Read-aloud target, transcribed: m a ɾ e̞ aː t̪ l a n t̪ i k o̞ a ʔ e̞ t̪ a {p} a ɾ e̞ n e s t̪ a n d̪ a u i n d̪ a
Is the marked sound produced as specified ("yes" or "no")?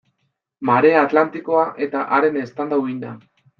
no